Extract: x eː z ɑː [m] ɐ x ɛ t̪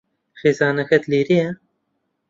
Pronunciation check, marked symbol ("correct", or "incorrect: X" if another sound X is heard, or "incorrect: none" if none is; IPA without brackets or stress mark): incorrect: n